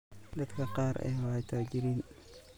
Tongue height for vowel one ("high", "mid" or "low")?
low